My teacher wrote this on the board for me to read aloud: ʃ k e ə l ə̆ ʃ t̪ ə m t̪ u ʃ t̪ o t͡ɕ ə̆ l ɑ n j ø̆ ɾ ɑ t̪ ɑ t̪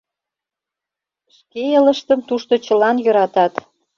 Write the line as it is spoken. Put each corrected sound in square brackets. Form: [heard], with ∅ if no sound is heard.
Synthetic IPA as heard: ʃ k e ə l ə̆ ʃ t̪ ə m t̪ u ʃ t̪ o t͡ɕ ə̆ l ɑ n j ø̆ ɾ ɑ t̪ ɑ t̪